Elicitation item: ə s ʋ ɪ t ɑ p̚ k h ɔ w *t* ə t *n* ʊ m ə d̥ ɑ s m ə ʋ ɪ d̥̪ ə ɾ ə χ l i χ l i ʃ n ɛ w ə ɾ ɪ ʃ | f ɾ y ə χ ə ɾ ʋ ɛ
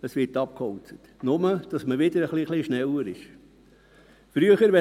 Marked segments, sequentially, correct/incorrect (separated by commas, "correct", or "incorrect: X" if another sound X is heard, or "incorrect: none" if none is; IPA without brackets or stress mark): incorrect: t͡s, correct